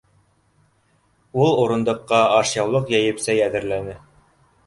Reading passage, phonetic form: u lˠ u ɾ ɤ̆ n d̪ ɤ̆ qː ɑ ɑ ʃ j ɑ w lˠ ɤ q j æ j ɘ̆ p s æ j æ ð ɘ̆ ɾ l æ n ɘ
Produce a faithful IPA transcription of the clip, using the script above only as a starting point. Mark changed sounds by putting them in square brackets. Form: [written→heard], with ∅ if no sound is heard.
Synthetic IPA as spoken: u lˠ u ɾ ɤ̆ n d̪ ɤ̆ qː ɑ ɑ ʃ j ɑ w lˠ ɤ q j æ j ɘ̆ p s æ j æ ð ɘ̆ ɾ l æ n ɘ